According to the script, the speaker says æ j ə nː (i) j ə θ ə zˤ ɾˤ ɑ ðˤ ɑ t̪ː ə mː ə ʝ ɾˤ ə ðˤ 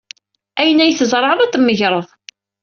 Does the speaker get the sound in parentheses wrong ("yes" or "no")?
yes